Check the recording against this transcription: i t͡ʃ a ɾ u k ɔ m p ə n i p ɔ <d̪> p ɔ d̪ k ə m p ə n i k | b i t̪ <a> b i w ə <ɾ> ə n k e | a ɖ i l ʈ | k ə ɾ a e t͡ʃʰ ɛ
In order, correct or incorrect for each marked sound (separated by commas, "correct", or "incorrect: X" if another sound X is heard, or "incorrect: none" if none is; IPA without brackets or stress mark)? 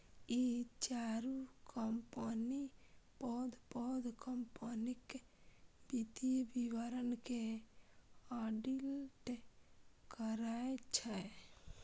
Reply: correct, incorrect: i, correct